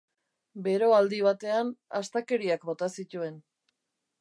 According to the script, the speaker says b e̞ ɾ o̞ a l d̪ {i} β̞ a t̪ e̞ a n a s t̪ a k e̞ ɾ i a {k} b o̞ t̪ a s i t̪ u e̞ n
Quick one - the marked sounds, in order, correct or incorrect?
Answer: correct, correct

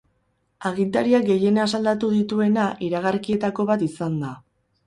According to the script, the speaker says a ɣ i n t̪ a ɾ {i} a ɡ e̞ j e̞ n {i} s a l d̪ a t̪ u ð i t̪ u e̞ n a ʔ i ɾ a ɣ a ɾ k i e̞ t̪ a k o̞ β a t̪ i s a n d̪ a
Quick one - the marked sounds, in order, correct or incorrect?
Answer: correct, incorrect

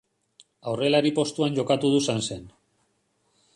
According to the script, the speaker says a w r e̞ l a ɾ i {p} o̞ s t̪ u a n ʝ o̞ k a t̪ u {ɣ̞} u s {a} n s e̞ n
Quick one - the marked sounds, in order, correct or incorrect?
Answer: correct, incorrect, correct

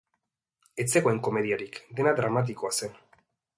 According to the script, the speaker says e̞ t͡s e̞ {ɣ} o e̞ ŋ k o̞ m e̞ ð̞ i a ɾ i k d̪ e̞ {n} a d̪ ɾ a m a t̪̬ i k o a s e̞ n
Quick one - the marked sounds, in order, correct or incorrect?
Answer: correct, correct

